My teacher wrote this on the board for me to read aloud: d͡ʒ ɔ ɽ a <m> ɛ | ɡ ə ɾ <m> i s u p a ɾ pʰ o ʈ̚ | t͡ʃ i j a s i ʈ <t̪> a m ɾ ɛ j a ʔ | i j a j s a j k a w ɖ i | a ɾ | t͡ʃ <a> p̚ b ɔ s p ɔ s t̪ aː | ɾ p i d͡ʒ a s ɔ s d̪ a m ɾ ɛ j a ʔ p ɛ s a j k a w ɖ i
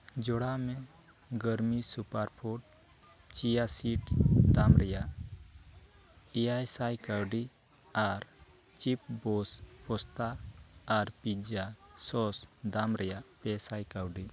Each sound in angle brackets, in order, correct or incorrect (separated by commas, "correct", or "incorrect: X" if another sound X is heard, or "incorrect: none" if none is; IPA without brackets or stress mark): correct, correct, incorrect: d̪, incorrect: i